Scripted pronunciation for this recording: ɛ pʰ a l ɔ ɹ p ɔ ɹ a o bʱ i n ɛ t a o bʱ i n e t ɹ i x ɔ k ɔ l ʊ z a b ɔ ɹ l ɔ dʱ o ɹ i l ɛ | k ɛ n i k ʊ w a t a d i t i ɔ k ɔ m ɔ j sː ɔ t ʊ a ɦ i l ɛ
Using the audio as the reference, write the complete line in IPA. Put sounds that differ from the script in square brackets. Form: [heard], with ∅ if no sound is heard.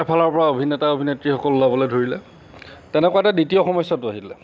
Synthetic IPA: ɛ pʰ a l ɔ ɹ p ɔ ɹ a o bʱ i n ɛ t a o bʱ i n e t ɹ i x ɔ k ɔ l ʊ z a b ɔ [∅] l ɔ dʱ o ɹ i l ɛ | [t] ɛ n [ɛ] k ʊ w a t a d i t i ɔ [x] ɔ m ɔ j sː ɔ t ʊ a ɦ i l ɛ